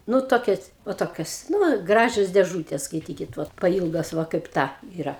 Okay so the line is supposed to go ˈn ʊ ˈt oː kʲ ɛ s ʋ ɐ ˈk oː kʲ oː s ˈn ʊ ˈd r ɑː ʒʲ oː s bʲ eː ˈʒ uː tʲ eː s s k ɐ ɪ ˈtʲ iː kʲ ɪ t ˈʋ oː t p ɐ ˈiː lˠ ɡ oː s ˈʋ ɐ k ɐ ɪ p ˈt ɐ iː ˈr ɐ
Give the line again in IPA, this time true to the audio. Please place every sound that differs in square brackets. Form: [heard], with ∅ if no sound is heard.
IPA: ˈn ʊ ˈt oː kʲ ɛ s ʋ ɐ [ˈt] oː kʲ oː s ˈn ʊ [ˈɡ] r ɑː ʒʲ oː s [dʲ] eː ˈʒ uː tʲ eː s s k ɐ ɪ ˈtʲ iː kʲ ɪ t ˈʋ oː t p ɐ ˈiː lˠ ɡ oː s ˈʋ ɐ k ɐ ɪ p ˈt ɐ iː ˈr ɐ